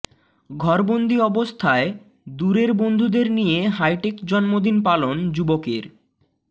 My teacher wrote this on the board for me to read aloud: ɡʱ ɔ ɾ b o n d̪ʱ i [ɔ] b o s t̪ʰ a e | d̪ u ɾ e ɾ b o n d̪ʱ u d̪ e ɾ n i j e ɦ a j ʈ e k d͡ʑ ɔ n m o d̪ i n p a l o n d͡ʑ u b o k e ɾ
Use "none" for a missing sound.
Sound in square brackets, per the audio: ɔ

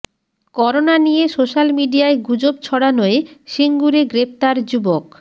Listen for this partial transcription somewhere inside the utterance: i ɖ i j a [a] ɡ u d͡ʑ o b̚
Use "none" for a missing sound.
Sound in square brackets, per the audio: e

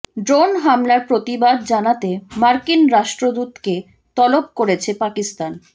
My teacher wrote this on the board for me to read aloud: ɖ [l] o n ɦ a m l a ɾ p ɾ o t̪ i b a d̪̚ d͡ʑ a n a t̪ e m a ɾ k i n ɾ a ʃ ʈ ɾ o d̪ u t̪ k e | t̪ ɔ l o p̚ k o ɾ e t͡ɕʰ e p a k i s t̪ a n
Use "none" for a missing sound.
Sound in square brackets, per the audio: ɾ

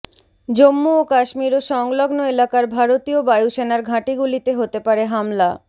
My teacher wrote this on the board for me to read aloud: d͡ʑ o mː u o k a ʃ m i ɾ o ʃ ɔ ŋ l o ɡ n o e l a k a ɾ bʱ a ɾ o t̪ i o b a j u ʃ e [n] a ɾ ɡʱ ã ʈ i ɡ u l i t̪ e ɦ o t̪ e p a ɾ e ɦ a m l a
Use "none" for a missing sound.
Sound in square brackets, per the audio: n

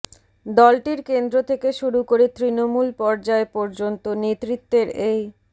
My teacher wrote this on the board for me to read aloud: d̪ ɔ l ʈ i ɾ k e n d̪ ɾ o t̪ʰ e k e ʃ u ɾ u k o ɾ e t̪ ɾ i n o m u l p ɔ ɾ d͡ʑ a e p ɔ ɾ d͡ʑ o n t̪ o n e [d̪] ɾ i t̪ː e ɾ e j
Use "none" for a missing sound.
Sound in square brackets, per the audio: t̪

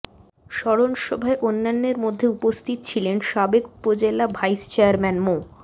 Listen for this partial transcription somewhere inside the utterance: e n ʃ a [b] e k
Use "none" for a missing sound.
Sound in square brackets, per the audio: b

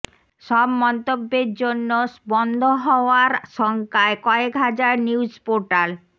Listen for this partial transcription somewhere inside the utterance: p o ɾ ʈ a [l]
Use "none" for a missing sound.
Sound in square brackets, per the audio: l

